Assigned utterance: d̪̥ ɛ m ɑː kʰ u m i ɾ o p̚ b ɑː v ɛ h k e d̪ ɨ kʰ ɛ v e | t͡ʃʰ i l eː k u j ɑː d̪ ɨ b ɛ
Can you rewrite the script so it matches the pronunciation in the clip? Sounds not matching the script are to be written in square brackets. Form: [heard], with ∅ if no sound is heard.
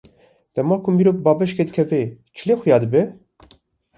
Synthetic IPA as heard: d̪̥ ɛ m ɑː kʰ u m i ɾ o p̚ b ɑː [b] ɛ [ʃ] k e d̪ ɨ kʰ ɛ v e | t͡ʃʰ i l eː [x] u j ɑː d̪ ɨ b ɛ